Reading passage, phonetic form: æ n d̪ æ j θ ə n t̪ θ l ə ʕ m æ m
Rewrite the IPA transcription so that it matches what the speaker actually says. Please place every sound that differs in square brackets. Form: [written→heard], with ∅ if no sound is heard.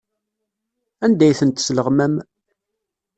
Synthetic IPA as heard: æ n d̪ æ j θ ə n t̪ [θ→s] l ə [ʕ→ʁ] m æ m